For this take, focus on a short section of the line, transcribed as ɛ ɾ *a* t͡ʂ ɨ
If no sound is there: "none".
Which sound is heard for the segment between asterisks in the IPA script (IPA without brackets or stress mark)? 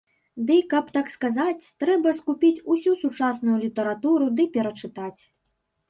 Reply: ɐ